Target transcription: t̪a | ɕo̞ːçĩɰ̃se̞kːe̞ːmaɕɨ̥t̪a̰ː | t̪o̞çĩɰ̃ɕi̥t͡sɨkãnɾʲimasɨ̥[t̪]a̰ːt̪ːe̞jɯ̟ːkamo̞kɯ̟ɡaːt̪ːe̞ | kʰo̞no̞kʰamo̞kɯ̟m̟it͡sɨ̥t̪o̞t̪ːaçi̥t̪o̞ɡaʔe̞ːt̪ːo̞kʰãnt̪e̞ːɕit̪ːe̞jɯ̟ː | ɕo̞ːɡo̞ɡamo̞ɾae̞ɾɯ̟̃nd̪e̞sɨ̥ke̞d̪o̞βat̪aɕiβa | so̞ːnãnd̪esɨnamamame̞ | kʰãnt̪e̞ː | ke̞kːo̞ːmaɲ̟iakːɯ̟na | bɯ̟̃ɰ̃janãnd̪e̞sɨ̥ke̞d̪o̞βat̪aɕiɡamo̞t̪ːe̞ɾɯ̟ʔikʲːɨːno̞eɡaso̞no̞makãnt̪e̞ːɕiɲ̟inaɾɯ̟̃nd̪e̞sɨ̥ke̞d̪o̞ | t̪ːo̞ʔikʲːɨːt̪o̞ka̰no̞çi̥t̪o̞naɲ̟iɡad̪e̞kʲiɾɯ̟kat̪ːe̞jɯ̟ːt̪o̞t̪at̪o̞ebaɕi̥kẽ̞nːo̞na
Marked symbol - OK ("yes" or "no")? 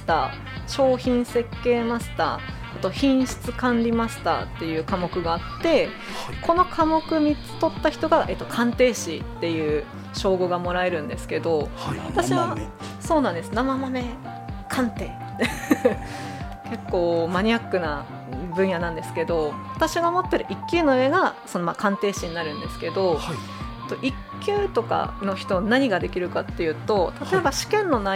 yes